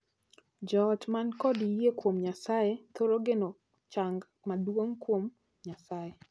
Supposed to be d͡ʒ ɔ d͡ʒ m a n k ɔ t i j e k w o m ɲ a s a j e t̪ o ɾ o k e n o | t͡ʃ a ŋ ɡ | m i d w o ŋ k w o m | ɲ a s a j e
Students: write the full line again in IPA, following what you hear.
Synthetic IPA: d͡ʒ ɔ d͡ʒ m a n k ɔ d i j e k w o m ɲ a s a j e t̪ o ɾ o ɡ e n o | t͡ʃ a ŋ ɡ | m a d w o ŋ k w o m | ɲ a s a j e